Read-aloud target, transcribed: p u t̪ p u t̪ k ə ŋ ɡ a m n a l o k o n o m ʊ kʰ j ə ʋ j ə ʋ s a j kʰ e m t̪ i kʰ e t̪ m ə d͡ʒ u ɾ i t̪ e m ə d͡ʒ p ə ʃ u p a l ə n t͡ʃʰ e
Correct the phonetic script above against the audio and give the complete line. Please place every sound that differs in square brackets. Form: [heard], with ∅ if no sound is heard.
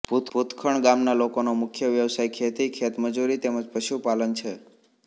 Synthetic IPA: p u t̪ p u t̪ [kʰ] ə [ɳ] ɡ a m n a l o k o n o m ʊ kʰ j ə ʋ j ə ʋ s a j kʰ e [∅] t̪ i kʰ e t̪ m ə d͡ʒ u ɾ i t̪ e m ə d͡ʒ p ə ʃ u p a l ə n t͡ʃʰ e